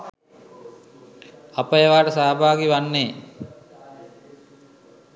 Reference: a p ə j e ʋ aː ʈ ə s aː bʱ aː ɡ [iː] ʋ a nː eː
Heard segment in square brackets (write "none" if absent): i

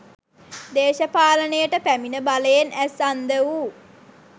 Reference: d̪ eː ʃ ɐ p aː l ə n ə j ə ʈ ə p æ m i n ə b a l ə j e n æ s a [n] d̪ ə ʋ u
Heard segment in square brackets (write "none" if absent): n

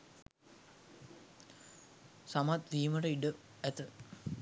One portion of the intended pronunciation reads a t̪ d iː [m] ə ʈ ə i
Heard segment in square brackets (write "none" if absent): m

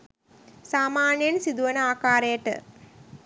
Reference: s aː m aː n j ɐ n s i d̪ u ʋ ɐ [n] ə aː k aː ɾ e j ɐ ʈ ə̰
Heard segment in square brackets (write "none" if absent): n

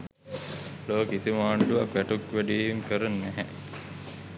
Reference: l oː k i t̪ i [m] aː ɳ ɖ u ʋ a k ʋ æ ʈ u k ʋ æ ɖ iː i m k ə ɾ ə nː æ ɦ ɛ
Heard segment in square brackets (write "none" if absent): m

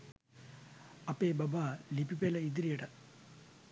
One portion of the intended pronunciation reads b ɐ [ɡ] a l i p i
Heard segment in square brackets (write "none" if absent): b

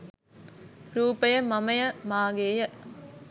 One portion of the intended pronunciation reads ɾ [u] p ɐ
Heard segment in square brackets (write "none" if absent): uː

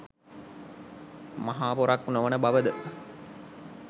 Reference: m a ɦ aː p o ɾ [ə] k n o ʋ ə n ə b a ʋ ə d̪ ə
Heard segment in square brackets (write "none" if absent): a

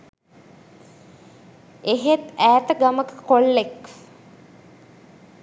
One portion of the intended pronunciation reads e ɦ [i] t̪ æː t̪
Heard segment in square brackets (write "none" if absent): e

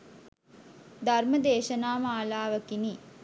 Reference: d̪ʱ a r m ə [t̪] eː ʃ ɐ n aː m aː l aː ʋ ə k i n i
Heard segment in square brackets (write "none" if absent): d̪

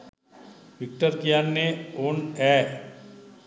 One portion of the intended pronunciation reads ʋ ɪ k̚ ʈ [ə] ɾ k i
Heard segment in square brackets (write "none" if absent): ə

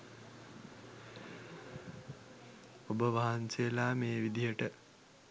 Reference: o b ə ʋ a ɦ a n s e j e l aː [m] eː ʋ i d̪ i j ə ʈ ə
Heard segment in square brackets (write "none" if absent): m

